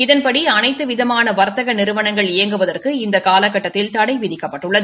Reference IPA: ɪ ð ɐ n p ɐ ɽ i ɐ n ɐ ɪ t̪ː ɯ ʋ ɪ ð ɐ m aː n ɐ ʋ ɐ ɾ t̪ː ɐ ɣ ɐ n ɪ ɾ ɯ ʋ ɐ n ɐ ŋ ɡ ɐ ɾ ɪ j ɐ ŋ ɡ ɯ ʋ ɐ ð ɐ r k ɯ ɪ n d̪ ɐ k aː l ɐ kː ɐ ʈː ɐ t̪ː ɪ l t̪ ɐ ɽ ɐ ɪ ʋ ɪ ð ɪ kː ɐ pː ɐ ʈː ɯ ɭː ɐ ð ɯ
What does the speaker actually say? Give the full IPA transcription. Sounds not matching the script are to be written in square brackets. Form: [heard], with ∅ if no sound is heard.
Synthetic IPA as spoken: ɪ ð ɐ n p ɐ ɽ i ɐ n ɐ ɪ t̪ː ɯ ʋ ɪ ð ɐ m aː n ɐ ʋ ɐ ɾ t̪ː ɐ ɣ ɐ n ɪ ɾ ɯ ʋ ɐ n ɐ ŋ ɡ ɐ [ɭ] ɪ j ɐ ŋ ɡ ɯ ʋ ɐ ð ɐ r k ɯ ɪ n d̪ ɐ k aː l ɐ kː ɐ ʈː ɐ t̪ː ɪ l t̪ ɐ ɽ ɐ ɪ ʋ ɪ ð ɪ kː ɐ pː ɐ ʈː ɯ ɭː ɐ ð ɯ

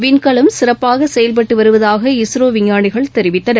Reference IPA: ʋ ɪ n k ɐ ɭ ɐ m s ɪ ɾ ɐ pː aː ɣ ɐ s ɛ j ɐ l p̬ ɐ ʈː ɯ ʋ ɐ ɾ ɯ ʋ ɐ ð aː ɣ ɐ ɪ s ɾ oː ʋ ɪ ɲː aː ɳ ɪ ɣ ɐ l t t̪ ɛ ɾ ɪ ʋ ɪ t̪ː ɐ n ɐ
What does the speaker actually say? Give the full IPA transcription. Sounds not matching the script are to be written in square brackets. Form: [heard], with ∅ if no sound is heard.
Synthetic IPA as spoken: ʋ ɪ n k ɐ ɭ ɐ m s ɪ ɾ ɐ pː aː ɣ ɐ s ɛ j ɐ l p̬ ɐ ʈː ɯ ʋ ɐ ɾ ɯ ʋ ɐ ð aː ɣ ɐ ɪ s ɾ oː ʋ ɪ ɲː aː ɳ ɪ ɣ ɐ [ɭ] t t̪ ɛ ɾ ɪ ʋ ɪ t̪ː ɐ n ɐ

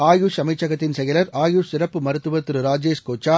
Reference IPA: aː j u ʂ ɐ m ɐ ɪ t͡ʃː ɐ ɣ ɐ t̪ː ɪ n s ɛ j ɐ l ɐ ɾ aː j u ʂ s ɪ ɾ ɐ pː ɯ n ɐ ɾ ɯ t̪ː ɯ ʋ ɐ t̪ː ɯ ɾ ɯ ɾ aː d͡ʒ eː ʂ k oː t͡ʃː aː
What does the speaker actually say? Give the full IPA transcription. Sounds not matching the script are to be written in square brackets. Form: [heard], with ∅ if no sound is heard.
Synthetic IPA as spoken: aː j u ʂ ɐ m ɐ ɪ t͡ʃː ɐ ɣ ɐ t̪ː ɪ n s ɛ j ɐ l ɐ ɾ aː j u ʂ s ɪ ɾ ɐ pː ɯ [m] ɐ ɾ ɯ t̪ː ɯ ʋ ɐ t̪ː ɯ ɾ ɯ ɾ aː d͡ʒ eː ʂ k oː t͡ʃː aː

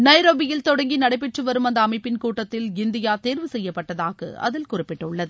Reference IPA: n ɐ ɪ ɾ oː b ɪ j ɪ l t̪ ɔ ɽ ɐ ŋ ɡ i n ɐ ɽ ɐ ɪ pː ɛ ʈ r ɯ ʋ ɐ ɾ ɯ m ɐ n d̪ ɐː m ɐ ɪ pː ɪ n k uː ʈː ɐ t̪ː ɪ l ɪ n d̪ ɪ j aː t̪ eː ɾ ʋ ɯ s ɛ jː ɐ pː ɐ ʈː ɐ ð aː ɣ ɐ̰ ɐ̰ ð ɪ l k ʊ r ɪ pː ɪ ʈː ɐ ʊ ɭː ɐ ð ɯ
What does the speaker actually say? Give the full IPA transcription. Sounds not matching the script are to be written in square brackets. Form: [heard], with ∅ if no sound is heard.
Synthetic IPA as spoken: n ɐ ɪ ɾ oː b ɪ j ɪ l t̪ ɔ ɽ ɐ ŋ ɡ i n ɐ ɽ ɐ ɪ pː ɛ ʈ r ɯ ʋ ɐ ɾ ɯ m ɐ n d̪ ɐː m ɐ ɪ pː ɪ n k uː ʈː ɐ t̪ː ɪ l ɪ n d̪ ɪ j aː t̪ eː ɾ ʋ ɯ s ɛ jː ɐ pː ɐ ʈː ɐ ð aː ɣ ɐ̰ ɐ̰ ð ɪ l k ʊ r ɪ pː ɪ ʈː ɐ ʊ ɭː ɐ ð ɯ

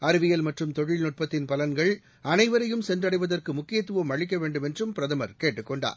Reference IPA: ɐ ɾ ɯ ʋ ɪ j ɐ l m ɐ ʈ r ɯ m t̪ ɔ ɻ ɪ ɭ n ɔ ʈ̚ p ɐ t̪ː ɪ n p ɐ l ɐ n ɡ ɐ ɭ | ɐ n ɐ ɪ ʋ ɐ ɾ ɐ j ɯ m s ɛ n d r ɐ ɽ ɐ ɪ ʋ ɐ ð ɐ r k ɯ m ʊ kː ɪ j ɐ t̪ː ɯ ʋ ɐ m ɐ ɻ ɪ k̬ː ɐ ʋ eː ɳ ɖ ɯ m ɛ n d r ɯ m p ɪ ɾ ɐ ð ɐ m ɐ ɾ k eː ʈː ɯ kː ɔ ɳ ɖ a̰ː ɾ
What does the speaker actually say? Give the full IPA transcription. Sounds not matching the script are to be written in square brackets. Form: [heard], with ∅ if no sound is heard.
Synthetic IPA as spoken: ɐ ɾ ɯ ʋ ɪ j ɐ l m ɐ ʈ r ɯ m t̪ ɔ ɻ ɪ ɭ n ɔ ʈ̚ p ɐ t̪ː ɪ n p ɐ l ɐ n ɡ ɐ ɭ | ɐ n ɐ ɪ ʋ ɐ ɾ ɐ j ɯ m s ɛ n d r ɐ ɽ ɐ ɪ ʋ ɐ ð ɐ r k ɯ m ʊ kː ɪ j ɐ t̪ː ɯ ʋ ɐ m ɐ ɻ ɪ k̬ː ɐ ʋ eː ɳ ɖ ɯ m ɛ n d r ɯ m p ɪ ɾ ɐ ð ɐ m ɐ ɾ k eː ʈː ɯ kː ɔ ɳ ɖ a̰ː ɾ

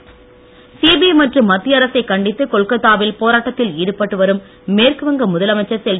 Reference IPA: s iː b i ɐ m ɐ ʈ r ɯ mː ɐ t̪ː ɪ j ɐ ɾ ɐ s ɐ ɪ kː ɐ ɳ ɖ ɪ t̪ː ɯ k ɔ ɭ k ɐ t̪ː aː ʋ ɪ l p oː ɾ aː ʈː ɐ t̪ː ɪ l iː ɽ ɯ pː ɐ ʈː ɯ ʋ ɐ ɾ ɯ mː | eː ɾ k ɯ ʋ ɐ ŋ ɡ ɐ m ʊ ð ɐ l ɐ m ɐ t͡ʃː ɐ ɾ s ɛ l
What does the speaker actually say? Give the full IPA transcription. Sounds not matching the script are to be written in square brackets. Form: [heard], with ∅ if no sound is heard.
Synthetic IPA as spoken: s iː b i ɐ m ɐ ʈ r ɯ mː ɐ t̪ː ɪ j ɐ ɾ ɐ s ɐ ɪ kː ɐ ɳ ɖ ɪ t̪ː ɯ k ɔ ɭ k ɐ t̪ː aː ʋ ɪ l p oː ɾ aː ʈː ɐ t̪ː ɪ l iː ɽ ɯ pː ɐ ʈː ɯ ʋ ɐ ɾ ɯ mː | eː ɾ k ɯ ʋ ɐ ŋ ɡ ɐ m ʊ ð ɐ l ɐ m ɐ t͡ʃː ɐ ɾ s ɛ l

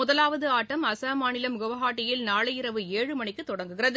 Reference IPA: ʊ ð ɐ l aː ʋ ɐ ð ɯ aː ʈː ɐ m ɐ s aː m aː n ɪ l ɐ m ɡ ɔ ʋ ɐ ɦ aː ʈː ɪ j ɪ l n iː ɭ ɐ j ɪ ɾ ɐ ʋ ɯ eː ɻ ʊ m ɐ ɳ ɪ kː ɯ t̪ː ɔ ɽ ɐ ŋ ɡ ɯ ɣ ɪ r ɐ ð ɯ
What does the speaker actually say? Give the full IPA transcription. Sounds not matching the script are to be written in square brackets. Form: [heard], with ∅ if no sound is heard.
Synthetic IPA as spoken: ʊ ð ɐ l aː ʋ ɐ ð ɯ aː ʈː ɐ m ɐ s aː m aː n ɪ l ɐ m ɡ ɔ ʋ ɐ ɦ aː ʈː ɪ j ɪ l n [aː] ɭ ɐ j ɪ ɾ ɐ ʋ ɯ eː ɻ [ɯ] m ɐ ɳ ɪ kː ɯ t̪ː ɔ ɽ ɐ ŋ ɡ ɯ ɣ ɪ r ɐ ð ɯ

